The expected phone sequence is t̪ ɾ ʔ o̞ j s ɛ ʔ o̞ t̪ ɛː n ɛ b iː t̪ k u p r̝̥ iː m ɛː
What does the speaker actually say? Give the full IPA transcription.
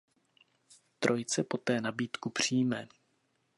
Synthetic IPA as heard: t̪ ɾ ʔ o̞ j t͡s ɛ p o̞ t̪ ɛː n a b iː t̪ k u p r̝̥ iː m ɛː